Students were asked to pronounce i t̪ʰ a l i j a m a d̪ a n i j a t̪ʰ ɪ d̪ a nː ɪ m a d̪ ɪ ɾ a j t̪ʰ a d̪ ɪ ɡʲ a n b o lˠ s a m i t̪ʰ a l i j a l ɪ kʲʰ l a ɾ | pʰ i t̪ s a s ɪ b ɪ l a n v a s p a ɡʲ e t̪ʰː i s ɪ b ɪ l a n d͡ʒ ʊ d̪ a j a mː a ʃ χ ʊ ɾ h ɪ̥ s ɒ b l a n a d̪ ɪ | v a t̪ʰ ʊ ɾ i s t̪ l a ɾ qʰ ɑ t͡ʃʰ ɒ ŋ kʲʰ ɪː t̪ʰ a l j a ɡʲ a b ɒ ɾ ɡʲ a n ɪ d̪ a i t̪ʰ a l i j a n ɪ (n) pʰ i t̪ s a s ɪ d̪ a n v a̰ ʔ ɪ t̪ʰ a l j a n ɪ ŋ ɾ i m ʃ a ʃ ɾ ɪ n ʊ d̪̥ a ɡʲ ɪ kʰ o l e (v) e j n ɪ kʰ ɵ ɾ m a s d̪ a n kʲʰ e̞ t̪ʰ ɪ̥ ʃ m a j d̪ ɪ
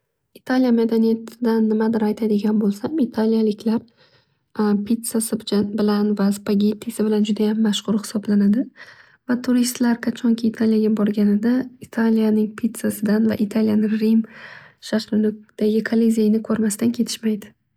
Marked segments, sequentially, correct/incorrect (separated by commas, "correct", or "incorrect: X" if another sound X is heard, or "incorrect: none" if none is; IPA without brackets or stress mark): incorrect: ŋ, incorrect: z